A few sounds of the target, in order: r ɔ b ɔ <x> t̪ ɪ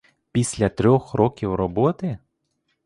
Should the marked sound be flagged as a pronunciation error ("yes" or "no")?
yes